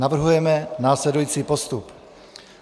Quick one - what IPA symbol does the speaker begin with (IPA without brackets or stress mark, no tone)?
a